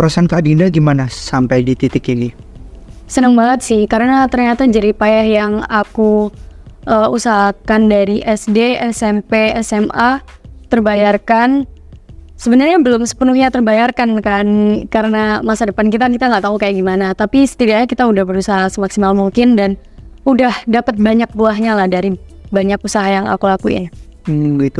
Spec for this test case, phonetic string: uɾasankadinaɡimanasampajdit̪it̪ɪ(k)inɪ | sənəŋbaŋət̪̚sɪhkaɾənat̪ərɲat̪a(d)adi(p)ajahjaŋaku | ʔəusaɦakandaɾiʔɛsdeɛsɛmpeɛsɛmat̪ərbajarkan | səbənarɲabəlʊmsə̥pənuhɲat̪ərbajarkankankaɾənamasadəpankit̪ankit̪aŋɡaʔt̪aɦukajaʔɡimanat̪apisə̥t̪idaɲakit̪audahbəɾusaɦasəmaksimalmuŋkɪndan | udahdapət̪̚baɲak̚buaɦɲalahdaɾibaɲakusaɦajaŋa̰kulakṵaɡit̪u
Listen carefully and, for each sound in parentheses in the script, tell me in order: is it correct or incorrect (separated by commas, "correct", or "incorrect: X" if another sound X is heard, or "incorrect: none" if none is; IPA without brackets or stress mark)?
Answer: correct, incorrect: d͡ʒ, correct